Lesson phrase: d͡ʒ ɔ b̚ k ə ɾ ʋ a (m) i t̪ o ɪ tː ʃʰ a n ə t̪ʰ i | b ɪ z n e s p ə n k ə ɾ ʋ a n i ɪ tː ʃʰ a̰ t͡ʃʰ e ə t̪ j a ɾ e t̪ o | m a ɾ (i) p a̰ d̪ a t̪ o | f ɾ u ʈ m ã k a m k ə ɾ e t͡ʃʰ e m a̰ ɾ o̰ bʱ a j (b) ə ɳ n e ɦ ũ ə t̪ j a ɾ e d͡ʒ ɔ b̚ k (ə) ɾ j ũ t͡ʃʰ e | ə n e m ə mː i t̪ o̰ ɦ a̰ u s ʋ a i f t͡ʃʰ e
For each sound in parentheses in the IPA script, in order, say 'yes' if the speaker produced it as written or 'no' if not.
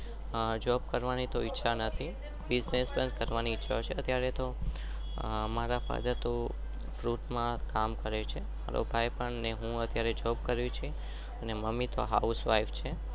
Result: no, no, no, yes

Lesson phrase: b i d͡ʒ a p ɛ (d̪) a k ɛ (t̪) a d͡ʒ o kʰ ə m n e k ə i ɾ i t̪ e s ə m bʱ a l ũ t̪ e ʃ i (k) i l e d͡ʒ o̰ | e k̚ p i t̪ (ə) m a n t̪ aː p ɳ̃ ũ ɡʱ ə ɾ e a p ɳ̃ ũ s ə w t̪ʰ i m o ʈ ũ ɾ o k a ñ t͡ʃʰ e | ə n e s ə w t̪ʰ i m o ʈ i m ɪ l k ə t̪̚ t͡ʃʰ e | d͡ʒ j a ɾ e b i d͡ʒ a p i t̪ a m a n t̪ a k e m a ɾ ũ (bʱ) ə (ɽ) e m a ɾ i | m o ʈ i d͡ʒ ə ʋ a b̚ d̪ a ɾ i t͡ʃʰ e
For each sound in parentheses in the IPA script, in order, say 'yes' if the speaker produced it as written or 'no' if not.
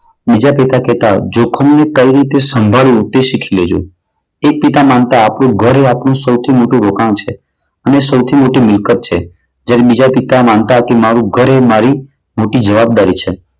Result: no, yes, no, no, no, no

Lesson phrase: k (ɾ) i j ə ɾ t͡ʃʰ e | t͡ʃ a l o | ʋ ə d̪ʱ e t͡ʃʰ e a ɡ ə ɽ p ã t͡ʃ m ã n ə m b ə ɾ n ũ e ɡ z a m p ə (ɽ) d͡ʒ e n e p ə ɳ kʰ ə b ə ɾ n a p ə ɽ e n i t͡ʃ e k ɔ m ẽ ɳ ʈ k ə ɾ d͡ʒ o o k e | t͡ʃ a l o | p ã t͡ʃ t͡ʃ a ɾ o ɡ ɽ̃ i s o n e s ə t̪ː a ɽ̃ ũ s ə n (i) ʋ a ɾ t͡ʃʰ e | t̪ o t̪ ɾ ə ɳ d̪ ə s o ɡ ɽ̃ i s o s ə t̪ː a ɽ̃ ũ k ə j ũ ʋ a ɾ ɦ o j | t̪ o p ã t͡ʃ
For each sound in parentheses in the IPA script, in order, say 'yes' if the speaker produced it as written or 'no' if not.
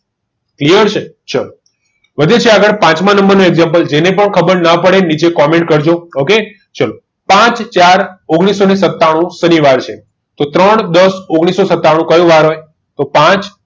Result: no, no, yes

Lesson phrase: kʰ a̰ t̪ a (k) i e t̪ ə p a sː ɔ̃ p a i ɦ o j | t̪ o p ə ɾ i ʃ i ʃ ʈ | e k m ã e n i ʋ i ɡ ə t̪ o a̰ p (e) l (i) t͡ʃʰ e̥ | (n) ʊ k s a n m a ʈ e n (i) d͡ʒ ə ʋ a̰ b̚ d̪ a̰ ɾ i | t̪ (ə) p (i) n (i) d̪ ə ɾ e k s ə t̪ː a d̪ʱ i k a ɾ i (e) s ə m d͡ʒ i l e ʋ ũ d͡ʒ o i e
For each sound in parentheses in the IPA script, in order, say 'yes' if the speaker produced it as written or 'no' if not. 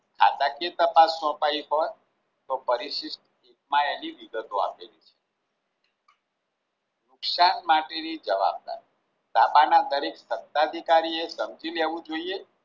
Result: yes, yes, yes, yes, yes, no, no, no, yes

